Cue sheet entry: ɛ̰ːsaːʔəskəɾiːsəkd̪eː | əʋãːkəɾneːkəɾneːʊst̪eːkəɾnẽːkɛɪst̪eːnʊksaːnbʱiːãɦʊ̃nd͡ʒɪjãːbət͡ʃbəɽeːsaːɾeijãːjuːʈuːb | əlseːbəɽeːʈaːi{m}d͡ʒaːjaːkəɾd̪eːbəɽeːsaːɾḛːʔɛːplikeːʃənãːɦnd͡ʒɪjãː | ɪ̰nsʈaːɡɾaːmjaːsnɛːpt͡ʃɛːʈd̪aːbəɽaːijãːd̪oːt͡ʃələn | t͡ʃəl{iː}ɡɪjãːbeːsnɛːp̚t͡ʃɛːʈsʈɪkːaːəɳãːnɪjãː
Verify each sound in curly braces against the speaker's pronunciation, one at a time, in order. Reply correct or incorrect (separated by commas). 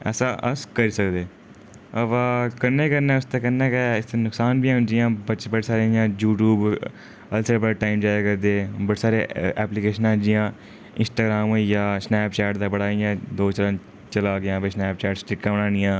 correct, incorrect